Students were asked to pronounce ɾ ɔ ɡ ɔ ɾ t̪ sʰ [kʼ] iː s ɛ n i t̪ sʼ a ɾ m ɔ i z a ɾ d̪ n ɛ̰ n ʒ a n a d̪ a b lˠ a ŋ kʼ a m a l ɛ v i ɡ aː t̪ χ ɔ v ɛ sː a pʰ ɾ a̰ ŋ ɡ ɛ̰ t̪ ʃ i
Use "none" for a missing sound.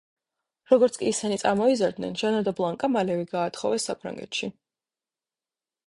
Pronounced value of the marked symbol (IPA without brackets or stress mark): kʼ